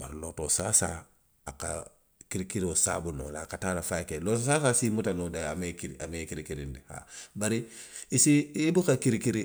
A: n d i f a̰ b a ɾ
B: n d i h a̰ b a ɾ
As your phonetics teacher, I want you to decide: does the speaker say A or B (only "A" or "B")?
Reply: B